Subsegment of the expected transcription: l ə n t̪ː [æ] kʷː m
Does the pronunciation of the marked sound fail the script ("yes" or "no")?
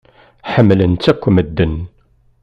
no